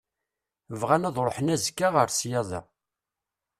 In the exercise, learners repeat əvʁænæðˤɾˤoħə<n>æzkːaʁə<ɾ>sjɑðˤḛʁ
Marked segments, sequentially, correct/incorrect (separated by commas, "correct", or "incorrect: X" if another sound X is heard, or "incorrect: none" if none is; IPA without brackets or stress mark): correct, correct